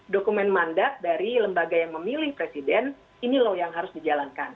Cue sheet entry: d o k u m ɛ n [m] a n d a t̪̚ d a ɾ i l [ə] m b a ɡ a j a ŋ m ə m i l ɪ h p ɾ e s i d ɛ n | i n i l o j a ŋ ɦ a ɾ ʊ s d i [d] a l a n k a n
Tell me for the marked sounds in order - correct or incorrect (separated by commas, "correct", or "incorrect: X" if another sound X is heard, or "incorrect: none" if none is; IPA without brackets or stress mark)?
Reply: correct, correct, incorrect: d͡ʒ